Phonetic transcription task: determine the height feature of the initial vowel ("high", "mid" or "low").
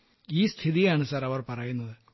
high